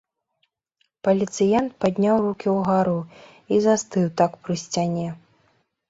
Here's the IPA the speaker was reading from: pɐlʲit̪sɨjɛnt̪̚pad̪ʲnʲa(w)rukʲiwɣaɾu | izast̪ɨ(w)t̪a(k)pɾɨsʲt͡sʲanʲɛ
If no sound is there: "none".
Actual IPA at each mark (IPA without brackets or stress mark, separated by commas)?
w, w, k